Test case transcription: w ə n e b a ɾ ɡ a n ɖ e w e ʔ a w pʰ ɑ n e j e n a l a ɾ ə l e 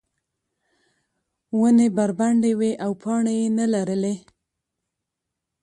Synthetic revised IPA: w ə n e b a ɾ b a ɳ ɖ e w e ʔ a w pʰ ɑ ɳ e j e n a l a ɾ ə l e